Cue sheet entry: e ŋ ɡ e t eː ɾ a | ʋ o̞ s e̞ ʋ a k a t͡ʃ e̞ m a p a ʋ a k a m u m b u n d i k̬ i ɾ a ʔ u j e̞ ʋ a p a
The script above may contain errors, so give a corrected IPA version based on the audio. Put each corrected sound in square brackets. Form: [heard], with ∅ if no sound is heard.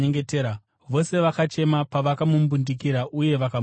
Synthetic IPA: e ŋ ɡ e t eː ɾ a | ʋ o̞ s e̞ ʋ a k a t͡ʃ e̞ m a p a ʋ a k a m u m b u n d i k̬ i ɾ a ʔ u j e̞ ʋ a [k] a